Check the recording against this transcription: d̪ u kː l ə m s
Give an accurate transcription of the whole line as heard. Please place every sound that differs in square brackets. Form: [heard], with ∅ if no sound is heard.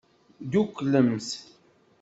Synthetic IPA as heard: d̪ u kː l ə m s

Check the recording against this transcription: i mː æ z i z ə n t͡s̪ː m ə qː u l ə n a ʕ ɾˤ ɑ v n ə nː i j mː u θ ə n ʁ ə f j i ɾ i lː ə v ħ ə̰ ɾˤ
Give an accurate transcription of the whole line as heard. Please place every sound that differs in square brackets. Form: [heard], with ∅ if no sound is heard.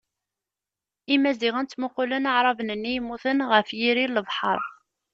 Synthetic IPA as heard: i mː æ z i [ʁ] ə n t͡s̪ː m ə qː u l ə n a ʕ ɾˤ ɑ v n ə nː i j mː u θ ə n ʁ ə f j i ɾ i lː ə v ħ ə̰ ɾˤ

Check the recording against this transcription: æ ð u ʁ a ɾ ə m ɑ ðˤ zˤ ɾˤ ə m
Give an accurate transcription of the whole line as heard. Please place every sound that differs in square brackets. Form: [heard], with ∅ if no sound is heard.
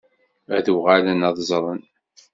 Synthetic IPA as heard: æ ð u ʁ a [l] ə [n] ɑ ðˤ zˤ ɾˤ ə [n]

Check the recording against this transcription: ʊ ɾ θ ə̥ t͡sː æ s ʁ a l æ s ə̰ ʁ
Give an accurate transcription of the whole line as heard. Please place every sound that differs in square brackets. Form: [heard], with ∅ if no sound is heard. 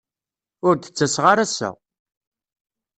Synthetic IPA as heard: ʊ ɾ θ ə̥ t͡sː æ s ʁ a [ɾ] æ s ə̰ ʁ

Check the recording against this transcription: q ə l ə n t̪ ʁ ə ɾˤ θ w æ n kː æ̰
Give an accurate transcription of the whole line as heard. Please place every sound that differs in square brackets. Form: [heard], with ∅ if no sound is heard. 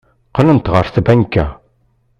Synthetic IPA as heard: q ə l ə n t̪ ʁ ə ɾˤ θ [b] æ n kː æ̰

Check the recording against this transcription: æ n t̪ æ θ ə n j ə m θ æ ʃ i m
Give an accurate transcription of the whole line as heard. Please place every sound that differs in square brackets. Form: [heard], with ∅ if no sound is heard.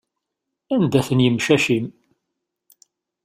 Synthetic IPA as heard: æ n [d̪] æ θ ə n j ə m [ʃ] æ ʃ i m

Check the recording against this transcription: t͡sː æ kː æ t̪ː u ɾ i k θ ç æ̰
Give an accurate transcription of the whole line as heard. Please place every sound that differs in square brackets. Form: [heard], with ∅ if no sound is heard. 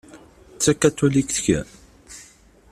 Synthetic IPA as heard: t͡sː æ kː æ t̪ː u [l] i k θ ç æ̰

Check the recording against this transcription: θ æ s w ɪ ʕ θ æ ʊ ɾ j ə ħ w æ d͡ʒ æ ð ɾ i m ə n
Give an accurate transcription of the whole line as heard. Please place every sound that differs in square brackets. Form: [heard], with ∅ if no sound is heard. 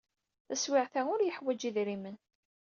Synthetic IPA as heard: θ æ s w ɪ ʕ θ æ ʊ ɾ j ə ħ w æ d͡ʒ [i] ð ɾ i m ə n

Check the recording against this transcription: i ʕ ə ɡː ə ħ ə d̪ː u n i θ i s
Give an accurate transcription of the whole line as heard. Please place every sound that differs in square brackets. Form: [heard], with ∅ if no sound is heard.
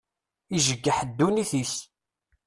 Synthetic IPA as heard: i [ʒ] ə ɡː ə ħ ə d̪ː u n i θ i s

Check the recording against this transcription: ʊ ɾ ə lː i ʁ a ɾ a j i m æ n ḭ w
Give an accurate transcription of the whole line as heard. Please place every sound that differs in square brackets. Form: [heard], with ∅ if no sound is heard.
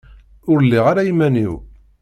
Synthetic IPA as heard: ʊ ɾ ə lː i ʁ a ɾ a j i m æ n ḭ w

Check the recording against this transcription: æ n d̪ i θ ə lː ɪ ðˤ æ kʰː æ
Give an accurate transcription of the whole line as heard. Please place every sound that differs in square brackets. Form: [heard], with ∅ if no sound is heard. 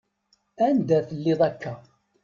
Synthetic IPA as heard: æ n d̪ [æ] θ ə lː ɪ ðˤ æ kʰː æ

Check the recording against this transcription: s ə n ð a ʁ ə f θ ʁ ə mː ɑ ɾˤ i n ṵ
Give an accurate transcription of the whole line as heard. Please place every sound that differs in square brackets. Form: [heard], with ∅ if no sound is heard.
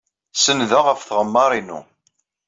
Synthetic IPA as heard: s ə n ð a ʁ ə f θ ʁ ə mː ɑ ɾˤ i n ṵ

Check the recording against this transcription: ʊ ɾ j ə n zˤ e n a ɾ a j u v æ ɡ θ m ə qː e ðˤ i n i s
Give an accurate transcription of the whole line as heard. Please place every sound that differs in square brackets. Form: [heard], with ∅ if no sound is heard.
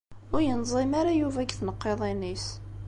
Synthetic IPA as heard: ʊ ɾ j ə n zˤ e [m] a ɾ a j u v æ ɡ θ [n] ə qː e ðˤ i n i s

